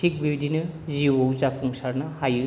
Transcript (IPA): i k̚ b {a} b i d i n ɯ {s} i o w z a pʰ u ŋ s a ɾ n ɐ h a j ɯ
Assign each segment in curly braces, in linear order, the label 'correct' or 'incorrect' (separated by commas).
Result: incorrect, incorrect